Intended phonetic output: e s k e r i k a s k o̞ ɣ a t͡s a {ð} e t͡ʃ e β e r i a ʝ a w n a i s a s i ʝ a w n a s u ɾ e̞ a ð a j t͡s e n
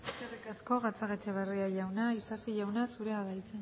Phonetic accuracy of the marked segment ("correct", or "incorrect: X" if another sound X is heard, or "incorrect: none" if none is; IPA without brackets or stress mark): incorrect: ɣ